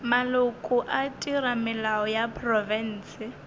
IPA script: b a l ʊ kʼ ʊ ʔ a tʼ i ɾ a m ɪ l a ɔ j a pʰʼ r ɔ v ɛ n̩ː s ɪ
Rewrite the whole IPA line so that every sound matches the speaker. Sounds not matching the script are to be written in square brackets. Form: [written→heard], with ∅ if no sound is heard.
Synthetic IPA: [b→m] a l ʊ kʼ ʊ ʔ a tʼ i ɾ a m ɪ l a ɔ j a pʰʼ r ɔ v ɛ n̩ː s ɪ

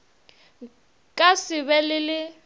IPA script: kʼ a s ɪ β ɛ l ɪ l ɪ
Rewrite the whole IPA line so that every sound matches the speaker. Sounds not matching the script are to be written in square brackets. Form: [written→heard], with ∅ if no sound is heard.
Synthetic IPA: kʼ a s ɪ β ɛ l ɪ l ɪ

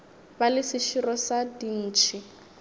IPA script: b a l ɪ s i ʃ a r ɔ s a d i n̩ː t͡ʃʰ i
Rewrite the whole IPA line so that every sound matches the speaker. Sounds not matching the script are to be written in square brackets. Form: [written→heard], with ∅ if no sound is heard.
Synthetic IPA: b a l ɪ s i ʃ [a→i] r ɔ s a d i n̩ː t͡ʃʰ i

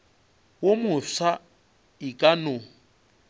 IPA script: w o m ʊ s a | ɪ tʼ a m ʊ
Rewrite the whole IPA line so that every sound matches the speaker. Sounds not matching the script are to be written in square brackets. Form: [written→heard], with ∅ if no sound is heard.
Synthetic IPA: w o m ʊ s a | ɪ [tʼ→kʼ] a [m→n] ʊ

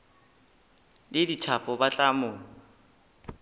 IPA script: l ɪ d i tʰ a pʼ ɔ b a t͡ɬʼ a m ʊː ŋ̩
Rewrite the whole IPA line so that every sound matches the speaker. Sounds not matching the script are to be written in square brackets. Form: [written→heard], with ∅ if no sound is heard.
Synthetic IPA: l ɪ d i tʰ a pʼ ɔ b a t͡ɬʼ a m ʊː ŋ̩

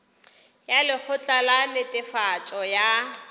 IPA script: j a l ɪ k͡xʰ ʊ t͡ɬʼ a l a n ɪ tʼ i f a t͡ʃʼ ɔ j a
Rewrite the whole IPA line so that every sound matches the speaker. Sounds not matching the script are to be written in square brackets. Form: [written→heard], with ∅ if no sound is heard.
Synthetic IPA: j a l ɪ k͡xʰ ʊ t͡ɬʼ a l a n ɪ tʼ [i→ɪ] f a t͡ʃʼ ɔ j a

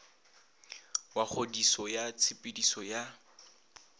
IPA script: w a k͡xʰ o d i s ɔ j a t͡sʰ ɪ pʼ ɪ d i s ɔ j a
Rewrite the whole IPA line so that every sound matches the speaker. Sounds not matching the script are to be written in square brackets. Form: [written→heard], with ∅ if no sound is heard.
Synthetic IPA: w a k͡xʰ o d i s ɔ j a t͡sʰ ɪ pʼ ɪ d i s ɔ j a

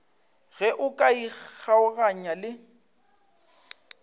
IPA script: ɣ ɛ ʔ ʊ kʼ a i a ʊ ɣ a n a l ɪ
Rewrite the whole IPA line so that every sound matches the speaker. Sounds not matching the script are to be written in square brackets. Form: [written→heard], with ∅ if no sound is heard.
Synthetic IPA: ɣ ɛ ʔ ʊ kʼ a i a ʊ ɣ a [n→ɲ] a l ɪ

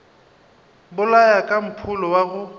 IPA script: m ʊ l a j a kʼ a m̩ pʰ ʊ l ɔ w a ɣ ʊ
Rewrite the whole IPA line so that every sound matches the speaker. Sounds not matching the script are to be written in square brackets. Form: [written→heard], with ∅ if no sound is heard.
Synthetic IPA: [m→b] ʊ l a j a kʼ a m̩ pʰ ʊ l ɔ w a ɣ ʊ

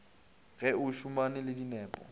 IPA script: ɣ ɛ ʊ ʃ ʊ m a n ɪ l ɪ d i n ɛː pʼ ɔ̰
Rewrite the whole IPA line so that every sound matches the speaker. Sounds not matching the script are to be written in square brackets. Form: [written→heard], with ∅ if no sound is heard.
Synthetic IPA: ɣ ɛ ʊ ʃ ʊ m a n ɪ l ɪ d i n ɛː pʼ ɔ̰

